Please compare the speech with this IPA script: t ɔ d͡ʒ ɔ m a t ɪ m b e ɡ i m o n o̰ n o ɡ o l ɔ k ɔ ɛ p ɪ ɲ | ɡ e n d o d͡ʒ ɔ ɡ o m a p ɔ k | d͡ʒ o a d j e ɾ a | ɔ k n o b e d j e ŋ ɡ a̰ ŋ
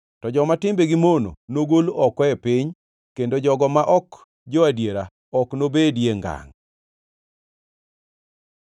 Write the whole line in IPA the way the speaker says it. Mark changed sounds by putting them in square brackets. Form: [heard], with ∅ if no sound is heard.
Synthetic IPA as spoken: t ɔ d͡ʒ ɔ m a t ɪ m b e ɡ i m o n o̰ n o ɡ o l ɔ k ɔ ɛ p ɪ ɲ | [k] e n d o d͡ʒ ɔ ɡ [ɔ] m a [ʔ] ɔ k | d͡ʒ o a d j e ɾ a | ɔ k n o b e d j e ŋ ɡ a̰ ŋ